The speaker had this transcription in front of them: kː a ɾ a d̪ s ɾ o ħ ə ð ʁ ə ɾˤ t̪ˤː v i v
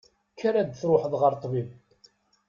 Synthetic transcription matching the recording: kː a ɾ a d̪ θ ɾ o ħ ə ð ʁ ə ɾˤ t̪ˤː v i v